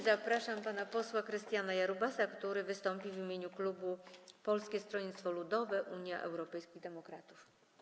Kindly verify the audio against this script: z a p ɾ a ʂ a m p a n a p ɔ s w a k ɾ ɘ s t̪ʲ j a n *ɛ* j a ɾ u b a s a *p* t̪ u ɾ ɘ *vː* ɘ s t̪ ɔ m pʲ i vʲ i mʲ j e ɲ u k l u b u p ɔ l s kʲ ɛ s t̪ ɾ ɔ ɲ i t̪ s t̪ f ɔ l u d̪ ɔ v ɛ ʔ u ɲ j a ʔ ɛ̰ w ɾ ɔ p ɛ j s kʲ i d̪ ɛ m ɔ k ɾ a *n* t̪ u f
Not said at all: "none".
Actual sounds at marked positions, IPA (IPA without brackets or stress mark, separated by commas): a, k, v, none